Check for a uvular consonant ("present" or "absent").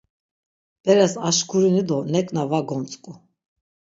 absent